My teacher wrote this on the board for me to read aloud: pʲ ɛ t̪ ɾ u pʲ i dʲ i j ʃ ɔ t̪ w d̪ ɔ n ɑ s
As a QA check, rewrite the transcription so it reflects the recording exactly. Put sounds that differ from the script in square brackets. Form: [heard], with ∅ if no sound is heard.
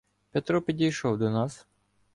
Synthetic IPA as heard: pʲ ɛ t̪ ɾ [ɔ] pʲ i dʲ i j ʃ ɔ [∅] w d̪ ɔ n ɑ s